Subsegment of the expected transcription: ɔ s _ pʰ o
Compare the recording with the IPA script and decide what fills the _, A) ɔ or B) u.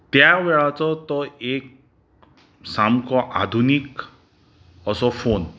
A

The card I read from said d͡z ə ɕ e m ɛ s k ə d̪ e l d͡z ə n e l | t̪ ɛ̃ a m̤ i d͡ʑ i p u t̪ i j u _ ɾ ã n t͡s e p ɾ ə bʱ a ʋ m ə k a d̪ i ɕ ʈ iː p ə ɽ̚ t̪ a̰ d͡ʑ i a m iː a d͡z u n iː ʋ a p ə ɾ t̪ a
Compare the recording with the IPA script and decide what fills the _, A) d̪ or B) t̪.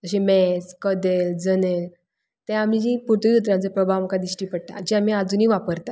B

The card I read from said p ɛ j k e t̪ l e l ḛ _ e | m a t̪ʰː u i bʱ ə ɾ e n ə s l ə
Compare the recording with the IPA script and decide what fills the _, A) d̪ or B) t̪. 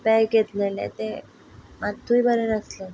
B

